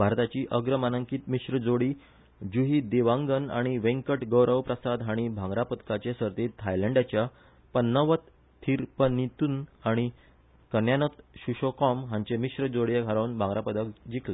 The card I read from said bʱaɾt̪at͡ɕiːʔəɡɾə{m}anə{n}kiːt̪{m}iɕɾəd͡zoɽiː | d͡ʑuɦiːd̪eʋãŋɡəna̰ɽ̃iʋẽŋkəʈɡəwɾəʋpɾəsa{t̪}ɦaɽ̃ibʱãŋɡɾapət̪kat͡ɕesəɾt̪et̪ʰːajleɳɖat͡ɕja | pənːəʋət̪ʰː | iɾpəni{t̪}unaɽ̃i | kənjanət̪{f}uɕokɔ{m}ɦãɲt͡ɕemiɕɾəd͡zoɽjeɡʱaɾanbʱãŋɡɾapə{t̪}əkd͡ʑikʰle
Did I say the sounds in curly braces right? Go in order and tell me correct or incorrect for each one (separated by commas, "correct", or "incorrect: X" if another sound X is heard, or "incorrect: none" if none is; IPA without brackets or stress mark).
correct, incorrect: ŋ, correct, incorrect: d̪, correct, incorrect: ɕ, correct, incorrect: d̪